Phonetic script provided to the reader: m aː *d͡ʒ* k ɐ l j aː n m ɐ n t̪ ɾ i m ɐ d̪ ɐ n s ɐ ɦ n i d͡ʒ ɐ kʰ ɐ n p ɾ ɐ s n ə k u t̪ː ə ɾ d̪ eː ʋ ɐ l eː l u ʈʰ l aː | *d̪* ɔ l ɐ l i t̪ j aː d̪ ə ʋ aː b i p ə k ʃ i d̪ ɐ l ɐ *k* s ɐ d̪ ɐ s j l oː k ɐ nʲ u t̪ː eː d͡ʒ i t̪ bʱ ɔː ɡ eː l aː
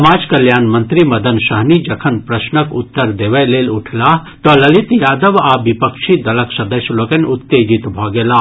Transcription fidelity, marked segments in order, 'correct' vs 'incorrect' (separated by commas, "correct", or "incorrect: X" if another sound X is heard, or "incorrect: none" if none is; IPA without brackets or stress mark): correct, incorrect: t̪, correct